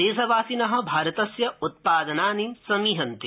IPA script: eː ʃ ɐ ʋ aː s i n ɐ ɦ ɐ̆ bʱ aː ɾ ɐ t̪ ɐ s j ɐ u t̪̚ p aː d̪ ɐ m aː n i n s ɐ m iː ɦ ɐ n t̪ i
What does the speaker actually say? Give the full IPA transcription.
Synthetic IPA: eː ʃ ɐ ʋ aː s i n ɐ ɦ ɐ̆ bʱ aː ɾ ɐ t̪ ɐ s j ɐ u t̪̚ p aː d̪ ɐ n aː n i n s ɐ m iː ɦ ɐ n t̪ i